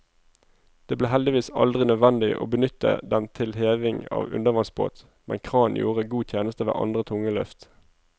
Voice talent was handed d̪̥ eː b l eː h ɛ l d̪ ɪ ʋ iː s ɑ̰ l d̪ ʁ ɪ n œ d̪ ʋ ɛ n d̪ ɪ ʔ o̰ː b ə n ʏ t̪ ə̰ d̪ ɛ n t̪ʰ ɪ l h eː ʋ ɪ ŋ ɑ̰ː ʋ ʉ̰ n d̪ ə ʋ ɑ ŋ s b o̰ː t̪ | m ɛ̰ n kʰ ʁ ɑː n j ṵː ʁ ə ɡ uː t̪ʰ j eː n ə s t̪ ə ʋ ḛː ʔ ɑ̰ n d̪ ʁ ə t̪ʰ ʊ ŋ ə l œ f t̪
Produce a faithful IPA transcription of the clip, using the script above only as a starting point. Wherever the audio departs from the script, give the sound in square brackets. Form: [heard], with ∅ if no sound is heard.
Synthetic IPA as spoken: d̪̥ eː b l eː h ɛ l d̪ ɪ ʋ iː s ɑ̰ l d̪ ʁ ɪ n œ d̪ ʋ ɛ n d̪ ɪ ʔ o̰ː b ə n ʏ t̪ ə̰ d̪ ɛ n t̪ʰ ɪ l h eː ʋ ɪ ŋ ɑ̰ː ʋ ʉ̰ n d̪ ə ʋ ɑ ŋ s b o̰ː t̪ | m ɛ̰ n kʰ ʁ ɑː n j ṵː ʁ ə ɡ uː t̪ʰ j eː n ə s t̪ ə ʋ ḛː ʔ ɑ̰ n d̪ ʁ ə t̪ʰ ʊ ŋ ə l œ f t̪